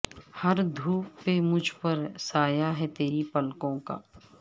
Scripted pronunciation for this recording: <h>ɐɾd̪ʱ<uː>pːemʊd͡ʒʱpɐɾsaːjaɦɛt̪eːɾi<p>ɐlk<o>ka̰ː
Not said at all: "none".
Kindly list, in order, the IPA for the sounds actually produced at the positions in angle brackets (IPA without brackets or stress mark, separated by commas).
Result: h, uː, p, õ